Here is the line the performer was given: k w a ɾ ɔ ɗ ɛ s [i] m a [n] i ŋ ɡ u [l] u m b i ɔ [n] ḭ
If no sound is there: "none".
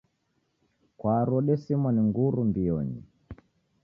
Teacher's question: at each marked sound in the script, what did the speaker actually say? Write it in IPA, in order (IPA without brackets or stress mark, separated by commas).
i, n, ɾ, ɲ